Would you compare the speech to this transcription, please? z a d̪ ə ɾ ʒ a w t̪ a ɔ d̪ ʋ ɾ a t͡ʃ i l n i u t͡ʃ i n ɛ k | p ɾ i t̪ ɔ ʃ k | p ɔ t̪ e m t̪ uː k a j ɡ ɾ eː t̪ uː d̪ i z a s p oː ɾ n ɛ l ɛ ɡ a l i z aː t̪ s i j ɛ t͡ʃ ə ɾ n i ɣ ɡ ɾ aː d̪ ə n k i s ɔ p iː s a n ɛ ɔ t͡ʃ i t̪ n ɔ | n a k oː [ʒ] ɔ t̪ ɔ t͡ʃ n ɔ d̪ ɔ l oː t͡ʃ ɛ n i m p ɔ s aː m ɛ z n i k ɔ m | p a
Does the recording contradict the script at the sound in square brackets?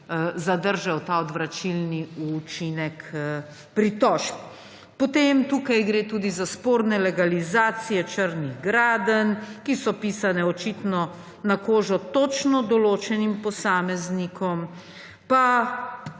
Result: no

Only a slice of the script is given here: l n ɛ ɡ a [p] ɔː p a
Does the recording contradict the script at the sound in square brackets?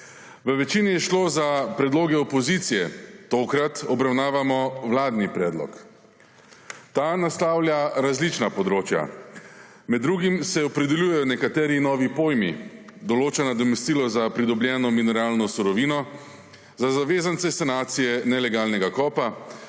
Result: yes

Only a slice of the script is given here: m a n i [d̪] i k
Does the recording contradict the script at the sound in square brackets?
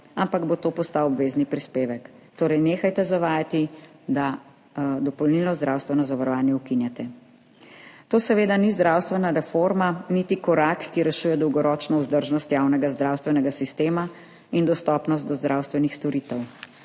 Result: yes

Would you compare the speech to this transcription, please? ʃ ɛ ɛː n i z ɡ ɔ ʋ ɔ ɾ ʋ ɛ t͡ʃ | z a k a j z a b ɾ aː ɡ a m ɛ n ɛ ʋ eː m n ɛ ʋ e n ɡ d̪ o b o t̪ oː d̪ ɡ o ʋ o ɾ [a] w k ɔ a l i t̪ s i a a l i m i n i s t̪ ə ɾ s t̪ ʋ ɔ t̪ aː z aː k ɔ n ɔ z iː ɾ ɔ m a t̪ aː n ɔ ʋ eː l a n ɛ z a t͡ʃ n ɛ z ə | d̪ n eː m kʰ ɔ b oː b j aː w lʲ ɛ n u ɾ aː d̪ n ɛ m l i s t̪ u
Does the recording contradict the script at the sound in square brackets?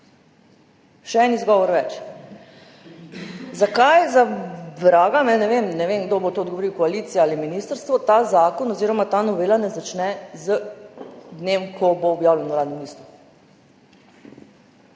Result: yes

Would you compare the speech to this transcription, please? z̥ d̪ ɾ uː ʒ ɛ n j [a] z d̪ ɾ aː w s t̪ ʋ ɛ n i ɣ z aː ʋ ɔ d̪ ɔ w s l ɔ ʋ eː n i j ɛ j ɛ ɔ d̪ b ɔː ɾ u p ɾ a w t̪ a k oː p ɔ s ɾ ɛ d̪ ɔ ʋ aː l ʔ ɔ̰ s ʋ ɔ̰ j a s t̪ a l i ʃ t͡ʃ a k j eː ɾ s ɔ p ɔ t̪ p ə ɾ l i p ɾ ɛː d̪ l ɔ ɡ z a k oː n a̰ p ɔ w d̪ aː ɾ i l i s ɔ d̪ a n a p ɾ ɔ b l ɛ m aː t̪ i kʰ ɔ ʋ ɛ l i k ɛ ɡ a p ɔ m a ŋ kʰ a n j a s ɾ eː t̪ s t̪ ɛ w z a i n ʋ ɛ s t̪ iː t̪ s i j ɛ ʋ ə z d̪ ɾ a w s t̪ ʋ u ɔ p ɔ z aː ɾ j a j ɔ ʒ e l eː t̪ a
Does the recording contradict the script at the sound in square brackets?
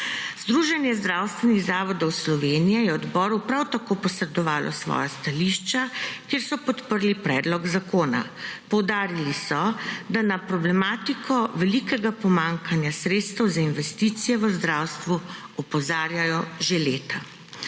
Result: yes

